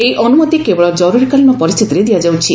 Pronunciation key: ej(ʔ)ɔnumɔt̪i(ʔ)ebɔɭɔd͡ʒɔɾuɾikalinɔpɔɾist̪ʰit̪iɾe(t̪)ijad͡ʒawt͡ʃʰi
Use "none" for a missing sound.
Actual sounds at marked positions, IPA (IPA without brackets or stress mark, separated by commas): ʔ, k, d̪